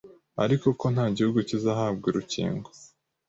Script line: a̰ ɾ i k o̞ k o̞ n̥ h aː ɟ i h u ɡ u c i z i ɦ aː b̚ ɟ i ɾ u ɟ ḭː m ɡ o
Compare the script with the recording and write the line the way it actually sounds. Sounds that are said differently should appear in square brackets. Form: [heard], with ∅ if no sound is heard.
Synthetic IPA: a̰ ɾ i k o̞ k o̞ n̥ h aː ɟ i h u ɡ u c i z [a] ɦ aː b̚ [ɡ] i ɾ u [c] ḭː [ŋ] ɡ o